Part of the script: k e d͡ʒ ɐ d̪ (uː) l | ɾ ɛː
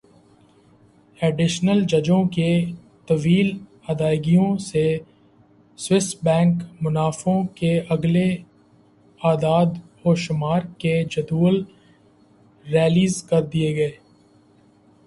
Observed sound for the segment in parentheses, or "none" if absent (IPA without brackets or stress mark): uː